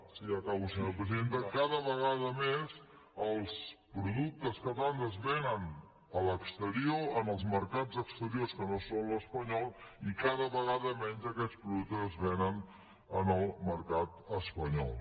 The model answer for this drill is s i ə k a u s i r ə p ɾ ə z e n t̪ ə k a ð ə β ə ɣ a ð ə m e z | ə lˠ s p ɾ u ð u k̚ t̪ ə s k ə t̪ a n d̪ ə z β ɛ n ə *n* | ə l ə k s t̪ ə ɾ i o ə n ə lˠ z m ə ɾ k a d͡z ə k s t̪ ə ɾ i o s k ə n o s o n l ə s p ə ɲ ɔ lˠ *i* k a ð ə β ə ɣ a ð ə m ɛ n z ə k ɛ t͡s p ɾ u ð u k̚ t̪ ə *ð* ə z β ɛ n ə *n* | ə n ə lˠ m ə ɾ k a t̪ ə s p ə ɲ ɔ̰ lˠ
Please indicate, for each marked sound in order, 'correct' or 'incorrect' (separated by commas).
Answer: correct, correct, incorrect, correct